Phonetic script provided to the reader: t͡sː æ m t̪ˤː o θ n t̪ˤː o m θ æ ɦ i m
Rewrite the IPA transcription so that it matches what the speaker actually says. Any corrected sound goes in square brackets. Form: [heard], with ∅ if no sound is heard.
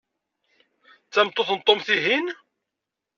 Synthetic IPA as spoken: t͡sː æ m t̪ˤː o θ n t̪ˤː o m θ [i] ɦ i [n]